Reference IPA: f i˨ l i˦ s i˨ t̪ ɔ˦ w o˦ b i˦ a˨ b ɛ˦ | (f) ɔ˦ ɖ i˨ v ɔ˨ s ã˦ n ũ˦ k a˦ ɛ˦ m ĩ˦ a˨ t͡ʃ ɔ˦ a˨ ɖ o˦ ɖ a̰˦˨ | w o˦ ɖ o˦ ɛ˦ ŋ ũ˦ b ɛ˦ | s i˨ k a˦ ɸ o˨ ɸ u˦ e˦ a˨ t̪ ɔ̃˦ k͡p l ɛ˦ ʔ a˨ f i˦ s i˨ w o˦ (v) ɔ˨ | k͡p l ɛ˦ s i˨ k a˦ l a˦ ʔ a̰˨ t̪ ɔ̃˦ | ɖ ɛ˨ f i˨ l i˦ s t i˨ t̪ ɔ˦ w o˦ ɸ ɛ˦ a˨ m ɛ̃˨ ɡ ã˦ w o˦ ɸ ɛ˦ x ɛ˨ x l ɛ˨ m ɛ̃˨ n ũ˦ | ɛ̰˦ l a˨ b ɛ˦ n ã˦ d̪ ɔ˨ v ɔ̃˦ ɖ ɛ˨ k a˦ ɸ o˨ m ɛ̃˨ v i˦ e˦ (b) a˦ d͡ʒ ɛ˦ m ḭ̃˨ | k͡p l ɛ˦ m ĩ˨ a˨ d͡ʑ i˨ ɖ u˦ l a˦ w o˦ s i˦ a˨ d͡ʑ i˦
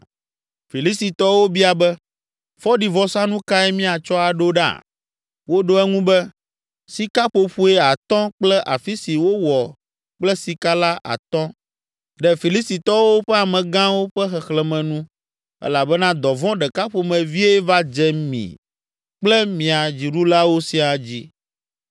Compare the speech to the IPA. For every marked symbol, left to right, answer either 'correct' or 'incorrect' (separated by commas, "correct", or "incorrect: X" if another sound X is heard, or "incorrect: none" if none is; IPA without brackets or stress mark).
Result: correct, incorrect: w, incorrect: v